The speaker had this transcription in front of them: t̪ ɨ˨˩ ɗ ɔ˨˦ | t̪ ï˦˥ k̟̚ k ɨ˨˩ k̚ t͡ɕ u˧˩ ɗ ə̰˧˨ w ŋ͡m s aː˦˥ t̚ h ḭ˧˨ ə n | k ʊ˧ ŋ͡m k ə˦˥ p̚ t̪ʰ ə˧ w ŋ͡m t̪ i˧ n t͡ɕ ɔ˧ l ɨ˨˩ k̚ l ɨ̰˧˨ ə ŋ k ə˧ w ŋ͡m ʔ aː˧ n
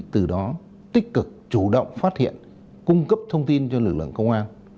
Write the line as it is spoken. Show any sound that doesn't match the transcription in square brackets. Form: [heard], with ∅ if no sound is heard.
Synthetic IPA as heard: t̪ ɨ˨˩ ɗ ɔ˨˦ | t̪ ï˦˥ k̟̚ k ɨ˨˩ k̚ t͡ɕ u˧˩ ɗ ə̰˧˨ w ŋ͡m [f] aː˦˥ t̚ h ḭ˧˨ ə n | k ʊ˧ ŋ͡m k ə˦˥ p̚ t̪ʰ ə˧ w ŋ͡m t̪ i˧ n t͡ɕ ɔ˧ l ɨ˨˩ k̚ l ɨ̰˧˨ ə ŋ k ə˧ w ŋ͡m ʔ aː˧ n

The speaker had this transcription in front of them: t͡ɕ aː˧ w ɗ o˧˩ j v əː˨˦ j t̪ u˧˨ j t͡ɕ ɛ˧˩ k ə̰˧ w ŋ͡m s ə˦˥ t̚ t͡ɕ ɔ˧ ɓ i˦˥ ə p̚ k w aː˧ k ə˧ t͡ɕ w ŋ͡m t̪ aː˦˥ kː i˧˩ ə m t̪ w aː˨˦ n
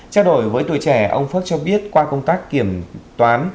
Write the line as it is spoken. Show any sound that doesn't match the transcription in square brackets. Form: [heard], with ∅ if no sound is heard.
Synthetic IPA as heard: t͡ɕ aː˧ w ɗ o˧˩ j v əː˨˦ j t̪ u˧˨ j t͡ɕ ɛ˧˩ [ʔ] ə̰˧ w ŋ͡m [f] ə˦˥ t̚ t͡ɕ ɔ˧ ɓ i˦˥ ə [t̚] k w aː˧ k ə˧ [∅] w ŋ͡m t̪ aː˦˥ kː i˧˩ ə m t̪ w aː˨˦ n

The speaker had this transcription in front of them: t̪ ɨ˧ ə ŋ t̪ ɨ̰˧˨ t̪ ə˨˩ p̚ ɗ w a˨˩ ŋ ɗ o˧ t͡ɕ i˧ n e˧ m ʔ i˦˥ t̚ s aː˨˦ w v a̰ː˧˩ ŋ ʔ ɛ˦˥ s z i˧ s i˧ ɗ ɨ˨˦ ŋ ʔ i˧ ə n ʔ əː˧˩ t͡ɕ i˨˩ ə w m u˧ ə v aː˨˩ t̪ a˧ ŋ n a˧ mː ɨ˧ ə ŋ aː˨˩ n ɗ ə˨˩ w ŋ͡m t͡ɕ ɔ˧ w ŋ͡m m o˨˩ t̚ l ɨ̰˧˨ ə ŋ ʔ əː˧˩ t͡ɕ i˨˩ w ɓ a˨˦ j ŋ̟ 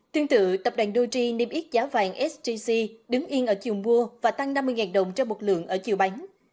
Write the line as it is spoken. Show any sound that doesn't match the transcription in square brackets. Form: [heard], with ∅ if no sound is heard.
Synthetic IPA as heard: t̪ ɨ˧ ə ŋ t̪ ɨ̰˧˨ t̪ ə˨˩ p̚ ɗ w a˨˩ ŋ ɗ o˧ t͡ɕ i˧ n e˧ m ʔ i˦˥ t̚ [z] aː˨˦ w v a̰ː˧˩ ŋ ʔ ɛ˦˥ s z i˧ s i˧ ɗ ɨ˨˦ ŋ ʔ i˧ ə n ʔ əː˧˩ t͡ɕ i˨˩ ə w m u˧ ə v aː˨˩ t̪ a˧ ŋ n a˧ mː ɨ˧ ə ŋ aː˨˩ n ɗ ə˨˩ w ŋ͡m t͡ɕ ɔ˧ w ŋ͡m m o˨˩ t̚ l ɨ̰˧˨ ə ŋ ʔ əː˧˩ t͡ɕ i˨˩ w ɓ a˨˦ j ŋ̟

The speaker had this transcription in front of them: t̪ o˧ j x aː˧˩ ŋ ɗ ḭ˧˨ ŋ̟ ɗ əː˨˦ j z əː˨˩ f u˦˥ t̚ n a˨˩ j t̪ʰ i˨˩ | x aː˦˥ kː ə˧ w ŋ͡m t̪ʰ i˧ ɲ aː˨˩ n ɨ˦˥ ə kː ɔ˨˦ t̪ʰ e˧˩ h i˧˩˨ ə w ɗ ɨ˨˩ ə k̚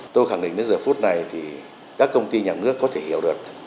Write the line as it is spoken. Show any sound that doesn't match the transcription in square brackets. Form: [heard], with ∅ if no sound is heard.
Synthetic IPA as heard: t̪ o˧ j x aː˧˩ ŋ ɗ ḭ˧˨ ŋ̟ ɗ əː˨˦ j z əː˨˩ f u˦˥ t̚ n a˨˩ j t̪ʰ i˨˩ | [k] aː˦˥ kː ə˧ w ŋ͡m [t̪] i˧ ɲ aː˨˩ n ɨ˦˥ ə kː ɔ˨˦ t̪ʰ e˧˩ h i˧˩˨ ə w ɗ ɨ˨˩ ə k̚

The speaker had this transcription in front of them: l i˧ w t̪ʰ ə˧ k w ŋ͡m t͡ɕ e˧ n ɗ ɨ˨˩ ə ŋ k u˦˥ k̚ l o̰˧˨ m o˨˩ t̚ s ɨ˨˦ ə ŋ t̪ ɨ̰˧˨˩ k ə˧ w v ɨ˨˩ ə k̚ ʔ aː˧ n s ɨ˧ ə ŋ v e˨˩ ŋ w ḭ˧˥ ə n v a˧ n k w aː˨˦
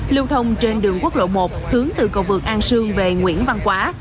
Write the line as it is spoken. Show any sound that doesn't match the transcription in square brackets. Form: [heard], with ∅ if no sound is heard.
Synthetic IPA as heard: l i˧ w t̪ʰ ə˧ [∅] w ŋ͡m t͡ɕ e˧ n ɗ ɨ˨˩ ə ŋ k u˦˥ k̚ l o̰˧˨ m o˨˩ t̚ [h] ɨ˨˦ ə ŋ t̪ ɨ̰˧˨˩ k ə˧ w v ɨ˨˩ ə k̚ ʔ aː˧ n s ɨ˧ ə ŋ v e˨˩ ŋ w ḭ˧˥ ə n v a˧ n k w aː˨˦

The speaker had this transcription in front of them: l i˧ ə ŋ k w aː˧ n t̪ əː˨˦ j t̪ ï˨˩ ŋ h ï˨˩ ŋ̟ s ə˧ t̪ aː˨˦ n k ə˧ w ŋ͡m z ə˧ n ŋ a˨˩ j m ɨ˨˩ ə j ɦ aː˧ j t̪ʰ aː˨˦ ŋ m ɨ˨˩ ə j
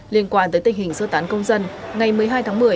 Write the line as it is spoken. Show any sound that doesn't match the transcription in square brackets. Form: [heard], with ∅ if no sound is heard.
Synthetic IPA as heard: l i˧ ə [n] k w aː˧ n t̪ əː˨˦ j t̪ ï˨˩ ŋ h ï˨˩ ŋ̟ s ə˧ t̪ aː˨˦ n k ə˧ w ŋ͡m z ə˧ n ŋ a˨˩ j m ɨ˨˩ ə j ɦ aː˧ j t̪ʰ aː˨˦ ŋ m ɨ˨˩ ə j

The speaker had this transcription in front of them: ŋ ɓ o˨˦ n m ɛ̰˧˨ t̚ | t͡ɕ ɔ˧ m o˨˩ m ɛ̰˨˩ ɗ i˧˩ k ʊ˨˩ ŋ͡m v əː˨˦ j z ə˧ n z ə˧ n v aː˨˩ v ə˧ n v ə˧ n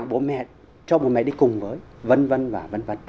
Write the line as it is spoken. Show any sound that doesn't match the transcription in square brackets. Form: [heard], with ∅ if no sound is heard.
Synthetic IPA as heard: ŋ ɓ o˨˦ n m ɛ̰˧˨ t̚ | t͡ɕ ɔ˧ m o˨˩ m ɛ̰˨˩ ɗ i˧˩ k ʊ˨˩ ŋ͡m v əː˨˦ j [v] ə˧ n [v] ə˧ n v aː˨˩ v ə˧ n v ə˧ n

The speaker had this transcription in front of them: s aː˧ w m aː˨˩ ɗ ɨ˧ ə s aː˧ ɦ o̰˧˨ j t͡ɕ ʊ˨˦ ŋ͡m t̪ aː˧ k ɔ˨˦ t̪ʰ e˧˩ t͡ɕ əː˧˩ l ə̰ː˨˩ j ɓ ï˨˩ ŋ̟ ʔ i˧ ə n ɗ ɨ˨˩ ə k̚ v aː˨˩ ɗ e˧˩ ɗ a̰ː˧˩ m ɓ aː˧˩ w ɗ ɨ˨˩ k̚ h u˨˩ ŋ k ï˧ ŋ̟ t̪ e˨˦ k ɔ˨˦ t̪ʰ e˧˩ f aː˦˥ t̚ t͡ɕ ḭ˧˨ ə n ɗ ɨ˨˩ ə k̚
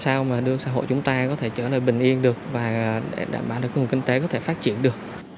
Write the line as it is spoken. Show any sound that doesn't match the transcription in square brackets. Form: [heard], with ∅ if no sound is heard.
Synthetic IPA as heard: s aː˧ w m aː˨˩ ɗ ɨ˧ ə s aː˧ ɦ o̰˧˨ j t͡ɕ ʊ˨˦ ŋ͡m t̪ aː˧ k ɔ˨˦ t̪ʰ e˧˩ t͡ɕ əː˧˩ l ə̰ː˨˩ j ɓ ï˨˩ ŋ̟ ʔ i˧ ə n ɗ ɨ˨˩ ə k̚ v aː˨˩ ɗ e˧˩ ɗ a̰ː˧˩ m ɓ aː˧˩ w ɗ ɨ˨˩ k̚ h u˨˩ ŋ k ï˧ ŋ̟ t̪ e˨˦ k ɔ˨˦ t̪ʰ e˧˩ f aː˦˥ t̚ t͡ɕ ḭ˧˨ ə n ɗ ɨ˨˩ ə k̚

